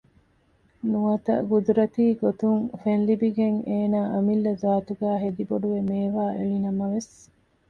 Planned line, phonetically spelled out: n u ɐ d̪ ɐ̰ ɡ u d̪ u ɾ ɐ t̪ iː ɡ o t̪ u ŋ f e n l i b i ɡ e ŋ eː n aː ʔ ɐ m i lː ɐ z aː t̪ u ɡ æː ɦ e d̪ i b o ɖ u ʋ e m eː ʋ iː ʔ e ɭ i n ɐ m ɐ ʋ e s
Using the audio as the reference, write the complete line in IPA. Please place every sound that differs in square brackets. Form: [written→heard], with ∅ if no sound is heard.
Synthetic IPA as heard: n u ɐ [d̪→t̪] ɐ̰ ɡ u d̪ u ɾ ɐ t̪ iː ɡ o t̪ u ŋ f e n l i b i ɡ e ŋ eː n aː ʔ ɐ m i lː ɐ z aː t̪ u ɡ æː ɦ e d̪ i b o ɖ u ʋ e m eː ʋ [iː→aː] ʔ e ɭ i n ɐ m ɐ ʋ e s

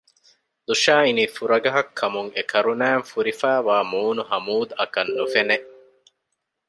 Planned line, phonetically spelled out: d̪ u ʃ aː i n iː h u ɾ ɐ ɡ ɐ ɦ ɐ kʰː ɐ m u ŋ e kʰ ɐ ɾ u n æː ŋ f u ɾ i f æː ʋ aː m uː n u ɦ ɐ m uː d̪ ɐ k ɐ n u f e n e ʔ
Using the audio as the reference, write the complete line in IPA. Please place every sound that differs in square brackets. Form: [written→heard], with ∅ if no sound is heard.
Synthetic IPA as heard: d̪ u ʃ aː i n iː [h→f] u ɾ ɐ ɡ ɐ ɦ ɐ kʰː ɐ m u ŋ e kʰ ɐ ɾ u n æː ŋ f u ɾ i f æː ʋ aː m uː n u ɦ ɐ m uː d̪ ɐ k ɐ [n→nː] u f e n e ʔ

